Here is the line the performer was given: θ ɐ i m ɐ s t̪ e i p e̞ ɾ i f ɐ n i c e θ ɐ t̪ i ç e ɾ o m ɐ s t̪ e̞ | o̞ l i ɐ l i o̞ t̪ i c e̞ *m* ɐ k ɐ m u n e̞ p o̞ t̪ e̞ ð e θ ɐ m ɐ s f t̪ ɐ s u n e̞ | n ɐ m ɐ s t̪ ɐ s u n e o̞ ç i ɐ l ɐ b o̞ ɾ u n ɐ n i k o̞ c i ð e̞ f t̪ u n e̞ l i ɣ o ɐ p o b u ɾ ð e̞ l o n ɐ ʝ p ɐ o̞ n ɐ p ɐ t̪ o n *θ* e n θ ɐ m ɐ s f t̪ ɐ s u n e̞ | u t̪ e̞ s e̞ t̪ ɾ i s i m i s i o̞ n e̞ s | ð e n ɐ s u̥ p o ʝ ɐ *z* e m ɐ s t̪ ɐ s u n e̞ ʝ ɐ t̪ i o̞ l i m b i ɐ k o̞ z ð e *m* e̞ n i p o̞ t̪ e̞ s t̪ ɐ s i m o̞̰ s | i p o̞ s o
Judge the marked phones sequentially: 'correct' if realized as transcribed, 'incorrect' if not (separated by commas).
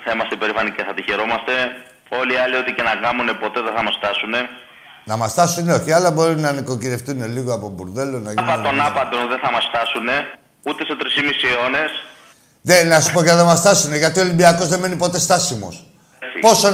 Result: incorrect, incorrect, incorrect, correct